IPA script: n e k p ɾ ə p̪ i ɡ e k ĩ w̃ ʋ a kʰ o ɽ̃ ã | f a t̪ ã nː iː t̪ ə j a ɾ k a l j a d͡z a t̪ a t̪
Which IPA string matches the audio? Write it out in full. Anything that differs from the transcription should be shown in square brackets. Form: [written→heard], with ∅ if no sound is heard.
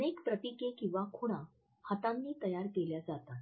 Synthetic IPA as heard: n e k p ɾ ə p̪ i [ɡ→k] e k ĩ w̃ ʋ a kʰ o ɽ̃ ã | [f→h] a t̪ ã nː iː t̪ ə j a ɾ k [a→e] l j a d͡z a t̪ a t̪

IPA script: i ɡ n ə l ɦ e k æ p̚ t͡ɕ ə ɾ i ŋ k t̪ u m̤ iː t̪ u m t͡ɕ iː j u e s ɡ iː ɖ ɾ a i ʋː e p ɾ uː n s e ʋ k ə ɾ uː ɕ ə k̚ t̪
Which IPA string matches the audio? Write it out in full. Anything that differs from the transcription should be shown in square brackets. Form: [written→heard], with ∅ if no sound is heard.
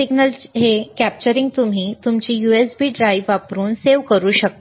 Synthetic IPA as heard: i ɡ n ə l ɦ e k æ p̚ t͡ɕ ə ɾ i ŋ [k→ɡ] t̪ u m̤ iː t̪ u m t͡ɕ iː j u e s [ɡ→b] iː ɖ ɾ a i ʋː [e→a] p ɾ uː n s e ʋ k ə ɾ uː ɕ ə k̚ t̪

